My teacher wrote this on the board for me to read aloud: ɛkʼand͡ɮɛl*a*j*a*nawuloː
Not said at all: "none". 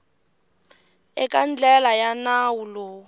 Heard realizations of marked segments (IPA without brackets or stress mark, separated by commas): a, a